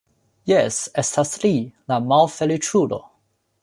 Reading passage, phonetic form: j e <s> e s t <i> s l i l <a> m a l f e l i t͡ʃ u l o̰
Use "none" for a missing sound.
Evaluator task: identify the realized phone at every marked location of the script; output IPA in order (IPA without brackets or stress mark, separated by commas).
s, a, a